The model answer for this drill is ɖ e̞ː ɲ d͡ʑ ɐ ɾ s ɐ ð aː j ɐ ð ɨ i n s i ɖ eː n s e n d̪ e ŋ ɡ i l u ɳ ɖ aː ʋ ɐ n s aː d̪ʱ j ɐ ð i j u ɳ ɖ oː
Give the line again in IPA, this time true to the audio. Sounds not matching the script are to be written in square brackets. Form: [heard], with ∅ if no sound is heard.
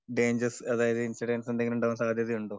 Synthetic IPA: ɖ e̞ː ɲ d͡ʑ ɐ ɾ s ɐ ð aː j ɐ ð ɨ i n s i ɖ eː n s e n d̪ e ŋ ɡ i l u ɳ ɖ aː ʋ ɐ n s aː d̪ʱ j ɐ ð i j u ɳ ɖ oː